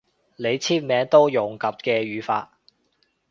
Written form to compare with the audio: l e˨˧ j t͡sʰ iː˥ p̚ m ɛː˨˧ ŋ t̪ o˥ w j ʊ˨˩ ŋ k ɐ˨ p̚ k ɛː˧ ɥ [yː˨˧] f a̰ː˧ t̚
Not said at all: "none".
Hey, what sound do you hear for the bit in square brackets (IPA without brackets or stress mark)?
yː˨˧